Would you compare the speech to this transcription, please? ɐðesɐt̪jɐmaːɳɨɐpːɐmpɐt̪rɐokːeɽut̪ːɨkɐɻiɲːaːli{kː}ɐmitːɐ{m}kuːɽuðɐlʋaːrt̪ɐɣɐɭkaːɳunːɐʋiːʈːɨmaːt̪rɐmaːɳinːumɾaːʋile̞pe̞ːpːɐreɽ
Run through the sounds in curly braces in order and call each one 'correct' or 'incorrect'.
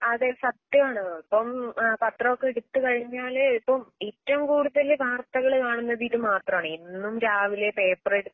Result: incorrect: pː, correct

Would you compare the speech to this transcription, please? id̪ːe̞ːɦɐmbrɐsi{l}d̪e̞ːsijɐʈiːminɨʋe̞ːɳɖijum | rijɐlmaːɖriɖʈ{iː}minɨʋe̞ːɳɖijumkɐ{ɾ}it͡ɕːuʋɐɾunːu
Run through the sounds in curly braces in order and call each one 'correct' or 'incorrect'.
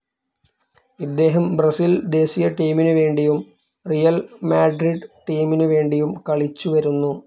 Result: correct, correct, incorrect: ɭ

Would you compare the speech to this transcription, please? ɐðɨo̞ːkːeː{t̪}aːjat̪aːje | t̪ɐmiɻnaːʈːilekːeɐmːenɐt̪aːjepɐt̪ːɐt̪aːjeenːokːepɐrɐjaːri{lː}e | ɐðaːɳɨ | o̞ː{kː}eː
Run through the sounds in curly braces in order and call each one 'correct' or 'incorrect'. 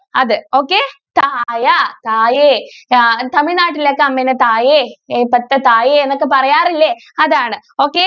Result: correct, correct, correct

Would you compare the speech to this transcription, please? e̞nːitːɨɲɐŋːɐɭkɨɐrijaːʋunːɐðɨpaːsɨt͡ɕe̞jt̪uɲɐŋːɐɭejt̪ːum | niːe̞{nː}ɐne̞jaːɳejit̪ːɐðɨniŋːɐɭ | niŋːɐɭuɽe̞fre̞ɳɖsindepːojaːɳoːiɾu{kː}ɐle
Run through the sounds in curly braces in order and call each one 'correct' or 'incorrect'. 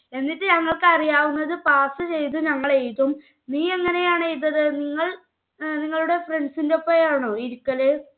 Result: incorrect: ŋː, correct

